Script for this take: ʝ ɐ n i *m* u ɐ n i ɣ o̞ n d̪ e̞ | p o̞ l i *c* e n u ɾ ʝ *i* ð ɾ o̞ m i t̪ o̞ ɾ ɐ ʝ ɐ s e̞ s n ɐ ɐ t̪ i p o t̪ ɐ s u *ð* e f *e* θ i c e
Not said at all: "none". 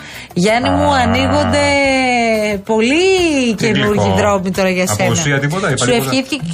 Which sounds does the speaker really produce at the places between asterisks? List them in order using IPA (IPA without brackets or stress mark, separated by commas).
m, c, i, none, i